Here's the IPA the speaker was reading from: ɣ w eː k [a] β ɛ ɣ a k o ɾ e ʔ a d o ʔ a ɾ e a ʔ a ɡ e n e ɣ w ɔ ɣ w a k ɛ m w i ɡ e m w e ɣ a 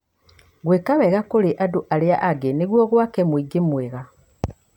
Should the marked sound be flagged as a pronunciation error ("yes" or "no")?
no